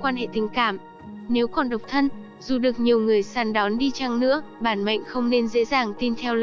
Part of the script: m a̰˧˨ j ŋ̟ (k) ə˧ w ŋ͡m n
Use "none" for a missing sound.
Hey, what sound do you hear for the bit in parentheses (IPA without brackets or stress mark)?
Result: x